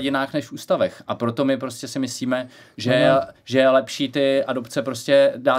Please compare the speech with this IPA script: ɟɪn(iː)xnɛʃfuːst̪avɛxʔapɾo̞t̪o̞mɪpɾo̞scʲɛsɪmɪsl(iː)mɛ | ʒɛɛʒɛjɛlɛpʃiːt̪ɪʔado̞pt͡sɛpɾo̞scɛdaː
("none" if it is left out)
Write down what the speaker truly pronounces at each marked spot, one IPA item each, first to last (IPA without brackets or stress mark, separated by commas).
aː, iː